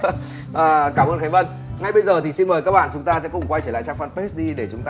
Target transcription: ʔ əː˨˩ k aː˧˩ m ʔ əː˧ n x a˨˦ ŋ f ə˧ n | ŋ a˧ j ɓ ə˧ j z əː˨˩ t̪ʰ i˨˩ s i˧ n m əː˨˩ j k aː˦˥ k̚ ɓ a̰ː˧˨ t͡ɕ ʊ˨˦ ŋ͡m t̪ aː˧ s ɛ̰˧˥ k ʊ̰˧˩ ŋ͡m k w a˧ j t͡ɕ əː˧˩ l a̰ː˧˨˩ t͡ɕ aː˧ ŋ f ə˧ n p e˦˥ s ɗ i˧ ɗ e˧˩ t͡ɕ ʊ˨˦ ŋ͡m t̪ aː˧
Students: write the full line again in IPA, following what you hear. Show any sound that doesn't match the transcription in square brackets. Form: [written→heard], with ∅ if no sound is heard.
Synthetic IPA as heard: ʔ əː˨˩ k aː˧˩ m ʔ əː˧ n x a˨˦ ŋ [f→v] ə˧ n | ŋ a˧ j ɓ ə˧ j z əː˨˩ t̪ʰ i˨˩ s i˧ n m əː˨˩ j k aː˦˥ k̚ ɓ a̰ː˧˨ t͡ɕ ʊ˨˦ ŋ͡m t̪ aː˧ s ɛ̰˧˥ k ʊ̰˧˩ ŋ͡m k w a˧ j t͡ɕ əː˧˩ l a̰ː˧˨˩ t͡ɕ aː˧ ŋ f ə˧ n p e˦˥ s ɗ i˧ ɗ e˧˩ t͡ɕ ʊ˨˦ ŋ͡m t̪ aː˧